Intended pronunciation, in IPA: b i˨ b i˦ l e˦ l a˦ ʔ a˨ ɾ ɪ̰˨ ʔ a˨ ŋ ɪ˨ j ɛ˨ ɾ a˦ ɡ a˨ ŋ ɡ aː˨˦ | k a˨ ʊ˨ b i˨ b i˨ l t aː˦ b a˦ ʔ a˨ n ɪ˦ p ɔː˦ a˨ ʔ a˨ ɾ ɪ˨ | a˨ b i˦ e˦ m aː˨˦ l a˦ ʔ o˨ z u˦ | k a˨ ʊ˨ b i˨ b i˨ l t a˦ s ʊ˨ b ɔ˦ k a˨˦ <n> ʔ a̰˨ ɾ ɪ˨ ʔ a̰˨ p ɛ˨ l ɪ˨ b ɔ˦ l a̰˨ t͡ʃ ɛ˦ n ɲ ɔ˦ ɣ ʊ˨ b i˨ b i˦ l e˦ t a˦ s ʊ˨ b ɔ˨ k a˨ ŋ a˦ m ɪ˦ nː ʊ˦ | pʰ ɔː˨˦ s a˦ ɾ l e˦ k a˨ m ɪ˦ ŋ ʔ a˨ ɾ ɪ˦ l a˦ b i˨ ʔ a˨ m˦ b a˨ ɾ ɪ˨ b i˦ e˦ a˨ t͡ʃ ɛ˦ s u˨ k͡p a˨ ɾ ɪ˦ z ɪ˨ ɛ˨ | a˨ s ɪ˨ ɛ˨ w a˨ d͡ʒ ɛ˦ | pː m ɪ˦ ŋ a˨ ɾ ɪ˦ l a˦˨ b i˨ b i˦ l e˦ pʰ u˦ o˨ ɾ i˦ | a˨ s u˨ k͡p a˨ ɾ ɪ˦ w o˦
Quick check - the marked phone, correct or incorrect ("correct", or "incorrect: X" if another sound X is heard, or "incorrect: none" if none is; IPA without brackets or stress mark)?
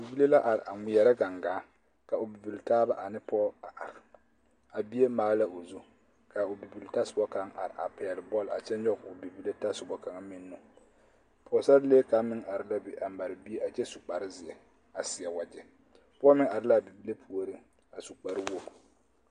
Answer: incorrect: ŋ